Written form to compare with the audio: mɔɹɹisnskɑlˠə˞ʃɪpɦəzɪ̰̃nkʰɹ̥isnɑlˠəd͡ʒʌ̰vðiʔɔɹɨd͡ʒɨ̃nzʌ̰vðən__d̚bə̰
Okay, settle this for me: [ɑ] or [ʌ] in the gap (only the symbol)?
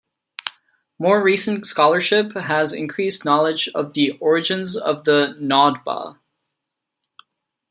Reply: ɑ